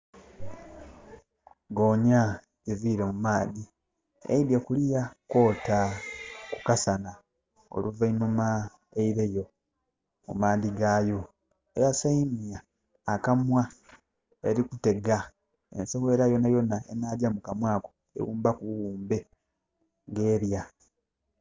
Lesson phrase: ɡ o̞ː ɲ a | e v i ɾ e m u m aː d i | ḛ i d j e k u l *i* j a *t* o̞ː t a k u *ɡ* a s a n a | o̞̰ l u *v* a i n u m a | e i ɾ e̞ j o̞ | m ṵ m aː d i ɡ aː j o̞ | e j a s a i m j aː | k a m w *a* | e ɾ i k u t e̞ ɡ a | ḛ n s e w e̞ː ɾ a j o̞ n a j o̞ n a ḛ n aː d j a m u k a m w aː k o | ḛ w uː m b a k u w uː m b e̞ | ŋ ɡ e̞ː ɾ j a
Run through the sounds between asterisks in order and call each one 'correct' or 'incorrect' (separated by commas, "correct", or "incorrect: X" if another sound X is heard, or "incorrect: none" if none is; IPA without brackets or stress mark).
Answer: correct, incorrect: k, incorrect: k, correct, correct